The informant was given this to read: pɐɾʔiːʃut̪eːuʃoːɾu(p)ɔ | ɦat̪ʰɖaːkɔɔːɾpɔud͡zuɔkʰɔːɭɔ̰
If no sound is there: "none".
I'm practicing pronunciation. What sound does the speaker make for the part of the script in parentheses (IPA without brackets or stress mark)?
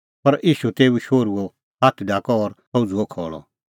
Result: none